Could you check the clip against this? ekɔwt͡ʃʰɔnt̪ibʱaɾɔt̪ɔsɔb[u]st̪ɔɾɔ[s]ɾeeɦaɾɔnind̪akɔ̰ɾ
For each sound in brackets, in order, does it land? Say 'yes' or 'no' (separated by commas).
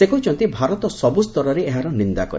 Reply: yes, no